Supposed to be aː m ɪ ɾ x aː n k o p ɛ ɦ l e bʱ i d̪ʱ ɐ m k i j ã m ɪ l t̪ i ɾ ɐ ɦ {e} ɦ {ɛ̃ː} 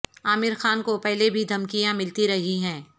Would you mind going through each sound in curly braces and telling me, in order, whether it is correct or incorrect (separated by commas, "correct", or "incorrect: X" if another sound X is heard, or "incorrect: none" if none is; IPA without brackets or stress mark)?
incorrect: i, correct